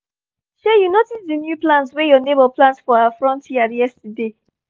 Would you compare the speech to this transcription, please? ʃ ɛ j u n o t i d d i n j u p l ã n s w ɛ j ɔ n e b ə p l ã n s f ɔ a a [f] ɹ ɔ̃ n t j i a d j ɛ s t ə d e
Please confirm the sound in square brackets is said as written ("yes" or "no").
yes